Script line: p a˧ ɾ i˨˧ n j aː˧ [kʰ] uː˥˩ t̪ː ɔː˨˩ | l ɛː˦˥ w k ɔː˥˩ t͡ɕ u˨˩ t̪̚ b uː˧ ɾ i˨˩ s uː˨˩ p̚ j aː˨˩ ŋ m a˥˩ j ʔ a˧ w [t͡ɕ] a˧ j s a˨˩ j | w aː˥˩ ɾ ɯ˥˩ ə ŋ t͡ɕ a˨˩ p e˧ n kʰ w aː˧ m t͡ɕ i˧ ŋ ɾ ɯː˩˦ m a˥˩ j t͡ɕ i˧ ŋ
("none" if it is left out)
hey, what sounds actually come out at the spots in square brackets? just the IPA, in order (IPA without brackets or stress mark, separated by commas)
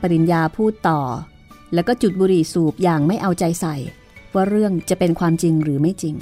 pʰ, t͡ɕ